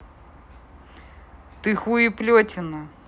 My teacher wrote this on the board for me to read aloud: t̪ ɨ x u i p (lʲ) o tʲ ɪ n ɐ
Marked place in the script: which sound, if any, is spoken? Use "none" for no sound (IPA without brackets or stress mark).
lʲ